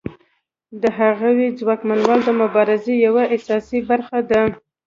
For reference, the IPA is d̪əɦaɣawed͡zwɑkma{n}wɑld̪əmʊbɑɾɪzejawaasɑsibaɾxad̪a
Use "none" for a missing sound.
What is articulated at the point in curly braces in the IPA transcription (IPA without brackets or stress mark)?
n